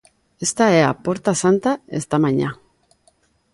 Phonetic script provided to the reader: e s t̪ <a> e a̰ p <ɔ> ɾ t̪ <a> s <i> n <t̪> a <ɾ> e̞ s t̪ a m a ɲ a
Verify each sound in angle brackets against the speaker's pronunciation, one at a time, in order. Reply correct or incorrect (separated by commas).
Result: correct, incorrect, correct, incorrect, correct, incorrect